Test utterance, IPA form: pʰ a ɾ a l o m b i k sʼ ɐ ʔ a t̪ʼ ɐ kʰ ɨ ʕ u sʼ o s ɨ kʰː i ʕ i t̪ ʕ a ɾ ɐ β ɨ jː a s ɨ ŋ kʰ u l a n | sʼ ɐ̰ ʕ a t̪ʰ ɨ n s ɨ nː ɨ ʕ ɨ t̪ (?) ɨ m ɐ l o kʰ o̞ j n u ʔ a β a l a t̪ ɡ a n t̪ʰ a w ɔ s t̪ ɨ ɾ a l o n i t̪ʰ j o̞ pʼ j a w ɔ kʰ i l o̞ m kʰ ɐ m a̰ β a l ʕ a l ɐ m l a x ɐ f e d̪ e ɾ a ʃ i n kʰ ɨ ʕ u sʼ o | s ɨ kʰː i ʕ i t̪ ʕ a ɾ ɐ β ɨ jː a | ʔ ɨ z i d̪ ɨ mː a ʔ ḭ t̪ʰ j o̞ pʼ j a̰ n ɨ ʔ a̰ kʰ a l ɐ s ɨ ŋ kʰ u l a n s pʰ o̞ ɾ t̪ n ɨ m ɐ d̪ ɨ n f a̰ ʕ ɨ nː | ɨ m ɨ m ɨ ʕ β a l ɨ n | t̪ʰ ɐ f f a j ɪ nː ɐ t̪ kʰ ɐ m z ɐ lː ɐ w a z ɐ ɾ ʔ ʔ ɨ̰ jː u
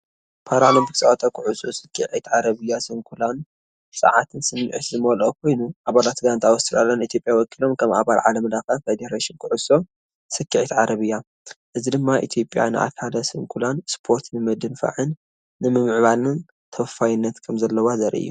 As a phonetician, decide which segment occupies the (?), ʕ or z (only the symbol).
z